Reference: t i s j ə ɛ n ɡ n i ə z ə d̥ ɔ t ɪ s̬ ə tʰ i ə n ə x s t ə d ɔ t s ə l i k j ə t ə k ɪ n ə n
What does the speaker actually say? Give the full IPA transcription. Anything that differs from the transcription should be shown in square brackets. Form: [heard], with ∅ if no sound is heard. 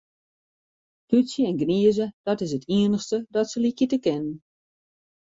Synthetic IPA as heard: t [y] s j ə ɛ n ɡ n i ə z ə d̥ ɔ t ɪ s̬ ə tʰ i ə n ə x s t ə d ɔ t s ə l i k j ə t ə k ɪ n ə n